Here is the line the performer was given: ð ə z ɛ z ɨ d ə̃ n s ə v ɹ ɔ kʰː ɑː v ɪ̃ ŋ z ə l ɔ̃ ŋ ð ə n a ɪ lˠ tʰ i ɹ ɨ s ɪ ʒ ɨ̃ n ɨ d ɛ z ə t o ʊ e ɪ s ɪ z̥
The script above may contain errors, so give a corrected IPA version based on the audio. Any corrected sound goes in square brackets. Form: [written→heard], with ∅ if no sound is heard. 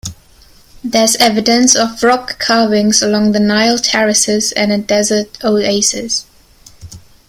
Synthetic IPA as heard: ð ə z ɛ [z→v] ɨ d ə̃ n s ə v ɹ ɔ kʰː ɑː v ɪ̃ ŋ z ə l ɔ̃ ŋ ð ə n a ɪ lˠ tʰ [i→ɛ] ɹ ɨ s ɪ [ʒ→z] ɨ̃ n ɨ d ɛ z ə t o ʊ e ɪ s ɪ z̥

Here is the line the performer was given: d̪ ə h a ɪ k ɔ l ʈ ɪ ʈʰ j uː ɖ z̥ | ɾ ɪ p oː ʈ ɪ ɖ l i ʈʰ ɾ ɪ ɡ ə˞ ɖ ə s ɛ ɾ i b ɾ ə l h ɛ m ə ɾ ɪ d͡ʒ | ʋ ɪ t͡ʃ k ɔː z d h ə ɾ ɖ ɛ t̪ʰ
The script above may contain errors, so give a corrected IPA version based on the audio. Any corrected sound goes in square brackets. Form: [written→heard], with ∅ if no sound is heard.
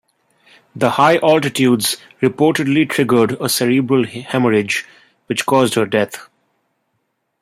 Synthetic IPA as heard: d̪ ə h a ɪ [k→ʔ] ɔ l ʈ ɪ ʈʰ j uː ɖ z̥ | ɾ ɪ p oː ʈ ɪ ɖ l i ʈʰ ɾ ɪ ɡ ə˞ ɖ ə s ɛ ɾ i b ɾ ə l h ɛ m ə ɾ ɪ d͡ʒ | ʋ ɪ t͡ʃ k ɔː z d h ə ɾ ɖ ɛ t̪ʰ

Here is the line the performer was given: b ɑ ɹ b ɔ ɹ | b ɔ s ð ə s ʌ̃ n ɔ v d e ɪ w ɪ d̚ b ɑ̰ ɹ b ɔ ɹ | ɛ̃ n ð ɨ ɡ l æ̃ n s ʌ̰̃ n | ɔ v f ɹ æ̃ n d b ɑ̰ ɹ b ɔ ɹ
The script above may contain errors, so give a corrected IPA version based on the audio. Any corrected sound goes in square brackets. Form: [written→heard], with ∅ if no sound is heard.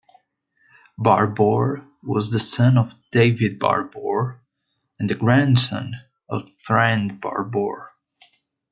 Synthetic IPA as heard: b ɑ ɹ b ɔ ɹ | [b→w] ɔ [s→z] ð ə s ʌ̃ n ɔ v d e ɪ [w→v] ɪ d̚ b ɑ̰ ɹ b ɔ ɹ | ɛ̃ n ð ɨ ɡ [l→ɹ] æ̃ n s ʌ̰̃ n | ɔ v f ɹ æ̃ n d b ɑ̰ ɹ b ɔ ɹ

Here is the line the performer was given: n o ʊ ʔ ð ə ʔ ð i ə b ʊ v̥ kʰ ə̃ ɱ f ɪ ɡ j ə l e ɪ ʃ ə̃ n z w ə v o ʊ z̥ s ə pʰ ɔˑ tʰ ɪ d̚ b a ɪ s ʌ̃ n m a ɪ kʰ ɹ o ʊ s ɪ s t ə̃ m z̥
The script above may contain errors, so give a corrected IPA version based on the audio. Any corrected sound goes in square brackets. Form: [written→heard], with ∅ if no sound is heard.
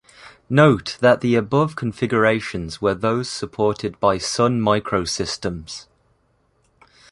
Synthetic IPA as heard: n o ʊ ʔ ð ə ʔ ð i ə b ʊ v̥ kʰ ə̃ ɱ f ɪ ɡ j ə [l→ɹ] e ɪ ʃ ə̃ n z w ə [v→ð] o ʊ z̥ s ə pʰ ɔˑ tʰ ɪ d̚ b a ɪ s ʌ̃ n m a ɪ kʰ ɹ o ʊ s ɪ s t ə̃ m z̥

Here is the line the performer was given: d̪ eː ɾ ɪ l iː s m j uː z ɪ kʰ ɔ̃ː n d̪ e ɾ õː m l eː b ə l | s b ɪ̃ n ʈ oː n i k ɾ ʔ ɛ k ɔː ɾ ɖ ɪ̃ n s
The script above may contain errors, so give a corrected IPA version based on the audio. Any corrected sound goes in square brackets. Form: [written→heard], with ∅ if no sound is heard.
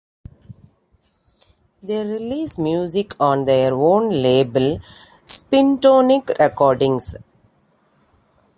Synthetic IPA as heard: d̪ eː ɾ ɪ l iː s m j uː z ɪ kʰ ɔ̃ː n d̪ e ɾ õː [m→n] l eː b ə l | s [b→p] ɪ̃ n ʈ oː n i k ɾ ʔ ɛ k ɔː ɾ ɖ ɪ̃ [n→ŋ] s

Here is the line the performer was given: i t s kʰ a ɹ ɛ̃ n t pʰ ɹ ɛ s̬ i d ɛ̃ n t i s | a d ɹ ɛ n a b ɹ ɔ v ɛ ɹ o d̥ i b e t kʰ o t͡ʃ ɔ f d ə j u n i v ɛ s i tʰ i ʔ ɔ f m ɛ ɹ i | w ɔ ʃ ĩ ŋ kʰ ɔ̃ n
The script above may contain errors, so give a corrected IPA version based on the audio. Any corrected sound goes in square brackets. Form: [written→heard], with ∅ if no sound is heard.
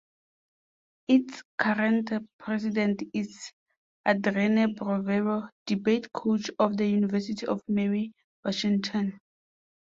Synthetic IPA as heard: i t s kʰ a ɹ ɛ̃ n t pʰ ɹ ɛ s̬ i d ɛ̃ n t i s | a d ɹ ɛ n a b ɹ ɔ v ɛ ɹ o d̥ i b e t kʰ o t͡ʃ ɔ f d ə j u n i v ɛ s i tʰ i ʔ ɔ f m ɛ ɹ i | w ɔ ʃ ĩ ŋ [kʰ→tʰ] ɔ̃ n

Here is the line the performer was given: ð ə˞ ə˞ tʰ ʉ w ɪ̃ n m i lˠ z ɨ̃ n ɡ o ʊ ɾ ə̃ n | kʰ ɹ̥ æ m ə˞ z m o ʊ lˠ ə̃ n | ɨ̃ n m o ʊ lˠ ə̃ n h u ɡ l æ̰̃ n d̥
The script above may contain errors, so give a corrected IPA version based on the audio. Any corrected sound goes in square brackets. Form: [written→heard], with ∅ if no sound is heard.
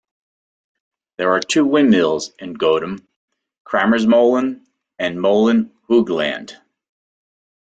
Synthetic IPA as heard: ð ə˞ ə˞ tʰ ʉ w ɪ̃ n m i lˠ z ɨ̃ n ɡ o ʊ ɾ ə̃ [n→m] | kʰ ɹ̥ æ m ə˞ z m o ʊ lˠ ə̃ n | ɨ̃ n m o ʊ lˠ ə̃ n h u ɡ l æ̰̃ n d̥

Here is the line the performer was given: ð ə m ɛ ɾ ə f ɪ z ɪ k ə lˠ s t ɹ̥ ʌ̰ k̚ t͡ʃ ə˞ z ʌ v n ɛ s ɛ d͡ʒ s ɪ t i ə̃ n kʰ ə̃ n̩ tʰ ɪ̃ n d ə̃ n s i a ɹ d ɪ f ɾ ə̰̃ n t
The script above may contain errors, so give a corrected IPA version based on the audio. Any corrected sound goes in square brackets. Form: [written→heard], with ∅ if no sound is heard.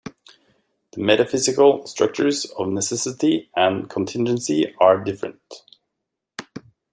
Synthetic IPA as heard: ð ə m ɛ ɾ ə f ɪ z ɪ k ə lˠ s t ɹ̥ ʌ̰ k̚ t͡ʃ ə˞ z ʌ v n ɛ s ɛ [d͡ʒ→∅] s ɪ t i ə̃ n kʰ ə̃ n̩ tʰ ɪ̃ n [d→d͡ʒ] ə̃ n s i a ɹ d ɪ f [ɾ→ɹ] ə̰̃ n t

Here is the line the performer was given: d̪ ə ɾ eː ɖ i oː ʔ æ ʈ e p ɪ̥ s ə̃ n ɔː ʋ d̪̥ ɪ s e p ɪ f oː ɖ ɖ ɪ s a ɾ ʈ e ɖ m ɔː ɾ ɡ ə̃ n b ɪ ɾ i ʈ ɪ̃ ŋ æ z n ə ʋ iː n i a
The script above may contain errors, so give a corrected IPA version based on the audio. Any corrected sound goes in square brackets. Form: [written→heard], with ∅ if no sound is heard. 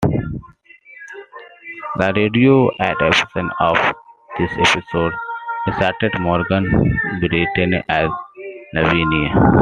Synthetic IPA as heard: d̪ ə ɾ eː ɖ i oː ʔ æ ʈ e p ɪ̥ s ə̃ n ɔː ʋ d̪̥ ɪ s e p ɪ [f→s] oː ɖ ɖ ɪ s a ɾ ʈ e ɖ m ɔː ɾ ɡ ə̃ n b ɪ ɾ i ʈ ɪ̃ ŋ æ z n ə ʋ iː n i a

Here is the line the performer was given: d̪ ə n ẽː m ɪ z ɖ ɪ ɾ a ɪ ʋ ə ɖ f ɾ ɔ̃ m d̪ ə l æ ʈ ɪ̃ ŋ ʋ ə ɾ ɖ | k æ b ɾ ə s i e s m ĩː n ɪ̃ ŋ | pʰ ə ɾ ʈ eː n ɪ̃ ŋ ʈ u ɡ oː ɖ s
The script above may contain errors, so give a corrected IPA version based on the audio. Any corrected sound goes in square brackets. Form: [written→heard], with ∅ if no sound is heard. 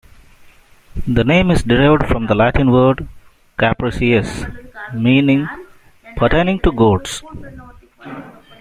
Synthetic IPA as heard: d̪ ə n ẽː m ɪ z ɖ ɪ ɾ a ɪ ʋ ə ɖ f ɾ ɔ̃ m d̪ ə l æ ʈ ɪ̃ [ŋ→n] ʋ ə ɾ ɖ | k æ [b→p] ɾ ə s i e s m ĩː n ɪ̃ ŋ | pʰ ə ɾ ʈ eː n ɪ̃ ŋ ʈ u ɡ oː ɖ s

